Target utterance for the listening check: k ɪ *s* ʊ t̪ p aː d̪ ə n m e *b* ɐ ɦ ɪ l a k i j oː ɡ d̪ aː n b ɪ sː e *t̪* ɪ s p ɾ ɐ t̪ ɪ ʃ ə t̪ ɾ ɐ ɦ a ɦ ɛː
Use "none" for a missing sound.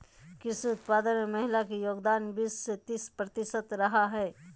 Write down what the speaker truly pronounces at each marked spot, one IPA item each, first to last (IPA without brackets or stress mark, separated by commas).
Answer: s, m, t̪